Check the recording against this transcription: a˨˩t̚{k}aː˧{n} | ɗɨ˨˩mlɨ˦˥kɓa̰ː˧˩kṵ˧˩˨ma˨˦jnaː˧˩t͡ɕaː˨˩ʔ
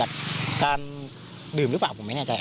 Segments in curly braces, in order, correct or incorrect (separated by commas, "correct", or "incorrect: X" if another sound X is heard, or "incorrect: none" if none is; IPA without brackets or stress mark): correct, correct